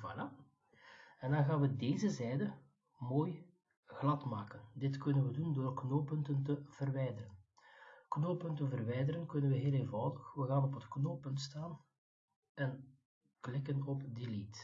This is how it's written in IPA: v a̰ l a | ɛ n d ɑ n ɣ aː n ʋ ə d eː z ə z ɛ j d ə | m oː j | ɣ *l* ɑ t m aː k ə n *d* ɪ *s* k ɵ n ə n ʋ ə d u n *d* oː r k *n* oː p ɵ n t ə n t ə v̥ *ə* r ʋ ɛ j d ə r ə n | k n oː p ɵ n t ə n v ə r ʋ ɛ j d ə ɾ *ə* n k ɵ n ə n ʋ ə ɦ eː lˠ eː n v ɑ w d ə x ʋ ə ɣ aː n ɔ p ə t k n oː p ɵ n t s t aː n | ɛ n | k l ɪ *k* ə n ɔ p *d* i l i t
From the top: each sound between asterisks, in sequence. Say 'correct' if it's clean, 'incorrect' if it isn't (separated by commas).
correct, correct, incorrect, correct, correct, correct, correct, correct, correct